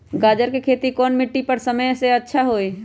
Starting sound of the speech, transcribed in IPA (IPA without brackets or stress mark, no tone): ɡ